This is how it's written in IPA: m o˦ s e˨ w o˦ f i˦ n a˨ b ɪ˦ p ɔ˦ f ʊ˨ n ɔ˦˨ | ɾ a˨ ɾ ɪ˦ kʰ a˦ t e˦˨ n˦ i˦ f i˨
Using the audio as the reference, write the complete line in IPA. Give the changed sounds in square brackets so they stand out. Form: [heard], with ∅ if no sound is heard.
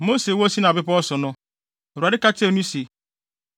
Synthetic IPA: m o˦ s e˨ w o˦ [s] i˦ n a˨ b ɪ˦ p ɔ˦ [s] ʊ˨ n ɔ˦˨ | ɾ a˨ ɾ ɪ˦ [k] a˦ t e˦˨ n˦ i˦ [s] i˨